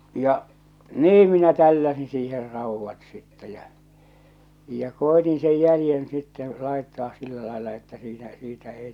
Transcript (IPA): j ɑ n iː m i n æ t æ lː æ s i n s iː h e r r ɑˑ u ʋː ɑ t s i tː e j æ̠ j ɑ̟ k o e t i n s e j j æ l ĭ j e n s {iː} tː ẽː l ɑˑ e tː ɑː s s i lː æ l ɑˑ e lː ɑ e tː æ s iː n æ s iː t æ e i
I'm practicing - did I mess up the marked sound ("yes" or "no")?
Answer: yes